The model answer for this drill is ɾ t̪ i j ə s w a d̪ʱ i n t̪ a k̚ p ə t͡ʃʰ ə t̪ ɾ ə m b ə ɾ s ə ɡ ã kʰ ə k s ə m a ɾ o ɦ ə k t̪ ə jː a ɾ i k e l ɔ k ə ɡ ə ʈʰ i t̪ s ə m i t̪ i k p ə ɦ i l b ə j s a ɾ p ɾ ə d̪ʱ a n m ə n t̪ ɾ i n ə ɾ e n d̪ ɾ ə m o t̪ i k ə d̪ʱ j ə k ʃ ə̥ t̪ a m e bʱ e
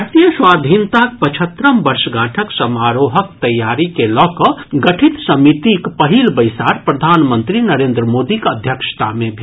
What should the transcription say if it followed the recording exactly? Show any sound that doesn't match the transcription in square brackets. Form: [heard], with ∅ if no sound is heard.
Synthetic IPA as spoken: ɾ t̪ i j ə s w a d̪ʱ i n t̪ a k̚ p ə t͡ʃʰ ə t̪ ɾ ə m b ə ɾ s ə ɡ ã [ʈʰ] ə k s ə m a ɾ o ɦ ə k t̪ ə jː a ɾ i k e l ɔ k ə ɡ ə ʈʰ i t̪ s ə m i t̪ i k p ə ɦ i l b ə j s a ɾ p ɾ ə d̪ʱ a n m ə n t̪ ɾ i n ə ɾ e n d̪ ɾ ə m o [d̪] i k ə d̪ʱ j ə k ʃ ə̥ t̪ a m e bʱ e